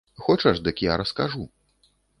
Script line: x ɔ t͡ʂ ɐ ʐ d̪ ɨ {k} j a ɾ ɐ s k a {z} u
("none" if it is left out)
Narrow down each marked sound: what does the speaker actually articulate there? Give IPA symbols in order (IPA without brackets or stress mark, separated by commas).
k, ʐ